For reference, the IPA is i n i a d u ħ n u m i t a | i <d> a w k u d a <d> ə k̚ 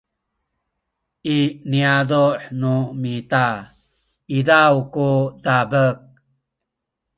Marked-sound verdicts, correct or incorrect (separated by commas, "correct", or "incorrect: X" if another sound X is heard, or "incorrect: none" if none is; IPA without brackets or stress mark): correct, incorrect: b